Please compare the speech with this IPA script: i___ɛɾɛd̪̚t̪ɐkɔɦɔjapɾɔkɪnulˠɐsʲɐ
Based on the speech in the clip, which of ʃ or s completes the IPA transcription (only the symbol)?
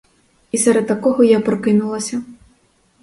s